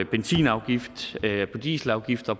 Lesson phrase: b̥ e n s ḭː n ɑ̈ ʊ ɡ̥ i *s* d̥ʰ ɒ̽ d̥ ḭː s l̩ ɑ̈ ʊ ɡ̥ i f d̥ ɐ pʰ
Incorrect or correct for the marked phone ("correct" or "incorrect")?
incorrect